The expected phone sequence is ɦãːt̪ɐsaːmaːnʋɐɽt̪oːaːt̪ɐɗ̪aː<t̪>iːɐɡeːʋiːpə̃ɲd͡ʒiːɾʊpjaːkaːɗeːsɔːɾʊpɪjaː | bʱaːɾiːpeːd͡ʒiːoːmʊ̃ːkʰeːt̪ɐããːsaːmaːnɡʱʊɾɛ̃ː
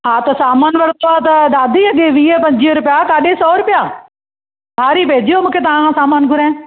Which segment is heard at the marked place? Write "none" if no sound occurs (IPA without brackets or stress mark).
d̪